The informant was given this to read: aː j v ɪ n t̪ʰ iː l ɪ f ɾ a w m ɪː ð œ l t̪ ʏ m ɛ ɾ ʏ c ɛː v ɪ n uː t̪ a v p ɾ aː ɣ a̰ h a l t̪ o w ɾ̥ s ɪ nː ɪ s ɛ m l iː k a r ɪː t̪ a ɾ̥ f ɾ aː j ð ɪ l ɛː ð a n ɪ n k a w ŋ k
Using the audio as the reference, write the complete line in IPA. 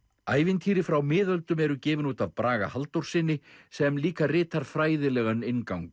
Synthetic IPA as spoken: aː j v ɪ n t̪ʰ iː ɾ ɪ f ɾ a w m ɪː ð œ l t̪ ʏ m ɛ ɾ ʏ c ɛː v ɪ n uː t̪ a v p ɾ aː ɣ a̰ h a l t̪ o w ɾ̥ s ɪ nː ɪ s ɛ m l iː k a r ɪː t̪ a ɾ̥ f ɾ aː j ð ɪ l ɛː ɣ a n ɪ n k a w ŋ k

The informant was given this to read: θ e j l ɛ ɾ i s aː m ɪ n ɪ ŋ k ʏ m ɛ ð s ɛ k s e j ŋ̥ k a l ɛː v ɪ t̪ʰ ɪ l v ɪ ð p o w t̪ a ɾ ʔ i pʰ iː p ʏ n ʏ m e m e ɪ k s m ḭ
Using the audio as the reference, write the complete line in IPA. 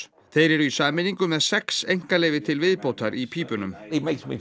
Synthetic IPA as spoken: θ e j ɾ ɛ ɾ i s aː m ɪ n i ŋ k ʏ m ɛ ð s ɛ k s e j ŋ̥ k a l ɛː v ɪ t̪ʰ ɪ l v ɪ ð p o w t̪ a ɾ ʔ i pʰ iː p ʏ n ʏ m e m e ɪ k s m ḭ

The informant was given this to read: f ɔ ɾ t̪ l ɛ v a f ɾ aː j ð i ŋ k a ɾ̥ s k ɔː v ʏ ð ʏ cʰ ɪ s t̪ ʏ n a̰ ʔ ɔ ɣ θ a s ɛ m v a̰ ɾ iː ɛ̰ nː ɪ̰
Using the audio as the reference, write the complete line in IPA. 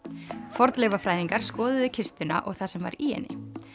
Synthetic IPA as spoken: f ɔ ɾ t̪ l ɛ v a f ɾ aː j ð i ŋ k a ɾ̥ s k ɔː ð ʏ ð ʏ cʰ ɪ s t̪ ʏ n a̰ ʔ ɔ ɣ θ a s ɛ m v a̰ ɾ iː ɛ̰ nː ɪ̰

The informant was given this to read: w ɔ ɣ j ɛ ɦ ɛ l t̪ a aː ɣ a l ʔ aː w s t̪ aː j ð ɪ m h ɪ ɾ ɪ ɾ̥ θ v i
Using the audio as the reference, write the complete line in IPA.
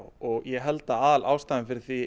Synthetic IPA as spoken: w ɔ ɣ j ɛ ɦ ɛ l t̪ a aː ð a l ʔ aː w s t̪ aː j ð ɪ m f ɪ ɾ ɪ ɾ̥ θ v i

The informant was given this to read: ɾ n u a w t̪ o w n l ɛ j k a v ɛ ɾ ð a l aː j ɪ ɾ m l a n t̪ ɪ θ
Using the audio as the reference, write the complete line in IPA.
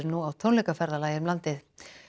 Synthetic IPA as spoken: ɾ n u a w t̪ʰ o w n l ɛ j k a f ɛ ɾ ð a l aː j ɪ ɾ m l a n t̪ ɪ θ

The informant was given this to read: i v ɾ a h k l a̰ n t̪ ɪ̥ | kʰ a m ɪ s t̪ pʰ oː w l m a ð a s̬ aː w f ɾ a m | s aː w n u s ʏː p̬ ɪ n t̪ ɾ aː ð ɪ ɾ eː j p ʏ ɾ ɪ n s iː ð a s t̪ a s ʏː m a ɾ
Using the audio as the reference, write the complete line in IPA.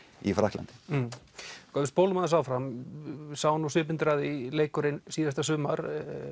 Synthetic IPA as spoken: i f ɾ a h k l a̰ n t̪ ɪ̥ | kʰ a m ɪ s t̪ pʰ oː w l m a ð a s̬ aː w f ɾ a m | s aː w n u s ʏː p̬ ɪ n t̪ ɾ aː ð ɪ l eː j k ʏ ɾ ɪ n s iː ð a s t̪ a s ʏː m a ɾ

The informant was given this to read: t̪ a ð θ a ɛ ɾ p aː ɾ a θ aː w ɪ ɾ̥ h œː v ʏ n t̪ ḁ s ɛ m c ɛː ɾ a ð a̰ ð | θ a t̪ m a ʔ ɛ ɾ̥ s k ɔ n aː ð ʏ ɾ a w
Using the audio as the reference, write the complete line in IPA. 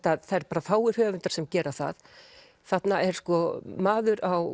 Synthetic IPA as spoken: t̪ a ð θ a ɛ ɾ p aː ɾ a θ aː w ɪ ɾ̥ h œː v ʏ n t̪ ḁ s ɛ m c ɛː ɾ a θ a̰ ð | θ a t̪ n a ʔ ɛ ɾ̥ s k ɔ m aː ð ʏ ɾ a w

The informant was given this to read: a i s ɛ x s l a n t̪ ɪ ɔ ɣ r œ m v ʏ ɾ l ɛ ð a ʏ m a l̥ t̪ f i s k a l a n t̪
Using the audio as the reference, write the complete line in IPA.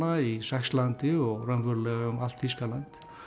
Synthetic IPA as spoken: a i s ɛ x s l a n t̪ ɪ ɔ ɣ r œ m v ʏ ɾ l ɛ ɣ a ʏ m a l̥ t̪ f i s k a l a n t̪

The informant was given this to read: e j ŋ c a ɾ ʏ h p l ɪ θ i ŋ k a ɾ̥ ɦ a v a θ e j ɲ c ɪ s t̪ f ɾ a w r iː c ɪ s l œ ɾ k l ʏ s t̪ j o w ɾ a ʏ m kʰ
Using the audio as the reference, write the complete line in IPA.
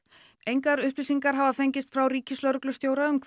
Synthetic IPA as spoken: e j ŋ k a ɾ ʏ h p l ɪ s i ŋ k a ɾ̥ ɦ a v a f e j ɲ c ɪ s t̪ f ɾ a w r iː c ɪ s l œ ɾ k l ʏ s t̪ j o w ɾ a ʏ m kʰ

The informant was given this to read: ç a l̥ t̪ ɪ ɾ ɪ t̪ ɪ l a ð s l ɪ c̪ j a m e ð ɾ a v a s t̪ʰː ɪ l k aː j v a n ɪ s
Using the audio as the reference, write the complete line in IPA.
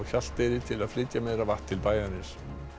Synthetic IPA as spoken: ç a l̥ t̪ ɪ ɾ ɪ t̪ʰ ɪ l a ð f l ɪ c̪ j a m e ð ɾ a v a h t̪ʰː ɪ l p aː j ð a n ɪ s

